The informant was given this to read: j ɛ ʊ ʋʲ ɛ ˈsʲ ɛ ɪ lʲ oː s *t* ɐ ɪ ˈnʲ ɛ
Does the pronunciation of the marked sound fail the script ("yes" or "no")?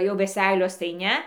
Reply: no